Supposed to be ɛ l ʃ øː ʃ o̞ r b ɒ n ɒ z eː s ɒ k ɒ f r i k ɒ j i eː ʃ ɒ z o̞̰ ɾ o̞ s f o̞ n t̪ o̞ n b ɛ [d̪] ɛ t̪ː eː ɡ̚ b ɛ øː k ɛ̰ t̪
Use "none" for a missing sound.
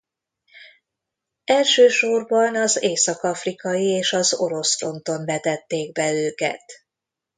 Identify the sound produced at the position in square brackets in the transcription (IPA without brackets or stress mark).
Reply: t̪